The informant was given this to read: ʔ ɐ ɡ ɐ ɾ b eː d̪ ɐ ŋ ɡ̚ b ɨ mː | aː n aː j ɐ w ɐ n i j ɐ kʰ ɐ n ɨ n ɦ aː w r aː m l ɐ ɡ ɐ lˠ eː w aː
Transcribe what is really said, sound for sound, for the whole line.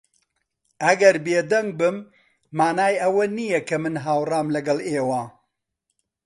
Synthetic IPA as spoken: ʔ ɐ ɡ ɐ ɾ b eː d̪ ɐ ŋ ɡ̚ b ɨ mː | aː n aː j ɐ w ɐ n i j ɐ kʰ ɐ m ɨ n ɦ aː w r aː m l ɐ ɡ ɐ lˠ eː w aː